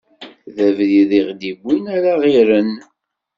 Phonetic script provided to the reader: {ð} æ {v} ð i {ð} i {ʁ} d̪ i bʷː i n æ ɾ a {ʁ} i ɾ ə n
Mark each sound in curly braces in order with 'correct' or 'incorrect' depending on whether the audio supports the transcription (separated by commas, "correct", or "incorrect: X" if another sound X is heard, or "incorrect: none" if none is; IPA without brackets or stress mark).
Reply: correct, correct, correct, correct, correct